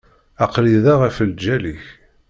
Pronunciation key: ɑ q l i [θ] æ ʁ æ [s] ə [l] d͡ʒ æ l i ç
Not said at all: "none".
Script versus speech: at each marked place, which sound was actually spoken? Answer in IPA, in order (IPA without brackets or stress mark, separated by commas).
ð, f, l